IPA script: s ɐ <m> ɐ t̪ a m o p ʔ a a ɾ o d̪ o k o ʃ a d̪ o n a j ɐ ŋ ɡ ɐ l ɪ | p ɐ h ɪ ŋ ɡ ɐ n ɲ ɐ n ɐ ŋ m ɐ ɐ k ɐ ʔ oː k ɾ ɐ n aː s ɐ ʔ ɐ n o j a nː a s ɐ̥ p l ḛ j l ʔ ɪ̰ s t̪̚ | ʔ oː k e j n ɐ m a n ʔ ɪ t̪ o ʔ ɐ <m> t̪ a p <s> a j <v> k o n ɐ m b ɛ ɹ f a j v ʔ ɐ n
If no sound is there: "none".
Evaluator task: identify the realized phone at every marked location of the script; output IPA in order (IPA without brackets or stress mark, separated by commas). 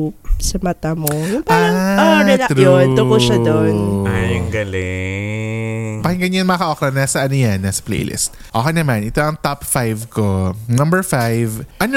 m, ŋ, f, v